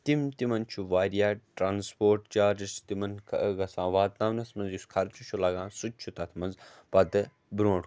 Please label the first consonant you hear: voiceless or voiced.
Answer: voiceless